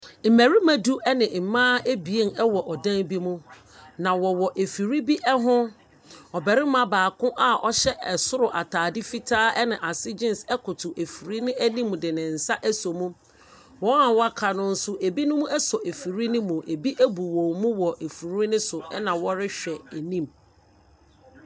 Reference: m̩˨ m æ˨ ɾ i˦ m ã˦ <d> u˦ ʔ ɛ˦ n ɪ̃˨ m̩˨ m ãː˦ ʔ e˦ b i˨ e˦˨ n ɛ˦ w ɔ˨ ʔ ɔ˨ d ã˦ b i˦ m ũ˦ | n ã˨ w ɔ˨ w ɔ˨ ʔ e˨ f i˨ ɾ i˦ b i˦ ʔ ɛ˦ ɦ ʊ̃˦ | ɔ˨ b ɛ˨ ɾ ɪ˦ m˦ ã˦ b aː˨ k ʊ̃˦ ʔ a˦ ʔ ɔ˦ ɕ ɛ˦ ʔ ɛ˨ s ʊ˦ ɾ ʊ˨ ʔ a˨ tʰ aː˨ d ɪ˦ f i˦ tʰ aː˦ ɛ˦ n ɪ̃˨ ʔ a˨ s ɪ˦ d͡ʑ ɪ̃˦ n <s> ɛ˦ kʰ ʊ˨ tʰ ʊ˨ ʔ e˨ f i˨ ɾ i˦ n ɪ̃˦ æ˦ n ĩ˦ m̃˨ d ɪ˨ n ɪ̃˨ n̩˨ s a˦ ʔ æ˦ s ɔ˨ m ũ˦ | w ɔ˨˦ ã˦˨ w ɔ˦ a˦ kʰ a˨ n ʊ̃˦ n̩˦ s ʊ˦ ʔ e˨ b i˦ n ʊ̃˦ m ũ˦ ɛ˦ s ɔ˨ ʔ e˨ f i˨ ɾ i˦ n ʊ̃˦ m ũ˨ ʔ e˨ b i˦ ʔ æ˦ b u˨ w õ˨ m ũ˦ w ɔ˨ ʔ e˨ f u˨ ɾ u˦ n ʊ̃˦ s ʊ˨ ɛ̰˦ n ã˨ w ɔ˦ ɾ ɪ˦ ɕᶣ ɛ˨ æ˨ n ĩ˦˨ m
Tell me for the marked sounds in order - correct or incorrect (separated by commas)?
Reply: correct, correct